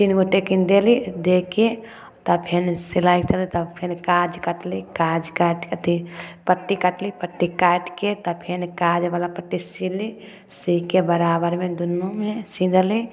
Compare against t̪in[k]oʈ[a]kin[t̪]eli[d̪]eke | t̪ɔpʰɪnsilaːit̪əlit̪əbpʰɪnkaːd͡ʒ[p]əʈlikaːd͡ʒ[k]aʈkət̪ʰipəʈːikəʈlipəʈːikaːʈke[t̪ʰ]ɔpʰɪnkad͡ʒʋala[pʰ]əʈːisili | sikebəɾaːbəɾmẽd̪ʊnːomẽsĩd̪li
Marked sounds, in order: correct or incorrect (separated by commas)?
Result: incorrect, incorrect, incorrect, correct, incorrect, correct, incorrect, incorrect